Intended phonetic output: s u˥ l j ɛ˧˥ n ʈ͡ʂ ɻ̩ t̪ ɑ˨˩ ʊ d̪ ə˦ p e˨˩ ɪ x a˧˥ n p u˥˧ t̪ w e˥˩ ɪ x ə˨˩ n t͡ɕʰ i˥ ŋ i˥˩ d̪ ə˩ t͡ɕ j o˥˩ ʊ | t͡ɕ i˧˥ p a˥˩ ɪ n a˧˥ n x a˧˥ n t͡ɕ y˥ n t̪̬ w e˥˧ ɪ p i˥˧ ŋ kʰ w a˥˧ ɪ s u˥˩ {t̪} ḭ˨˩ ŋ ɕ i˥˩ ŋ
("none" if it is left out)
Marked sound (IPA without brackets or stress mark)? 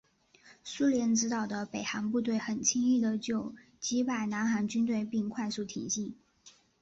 t̪ʰ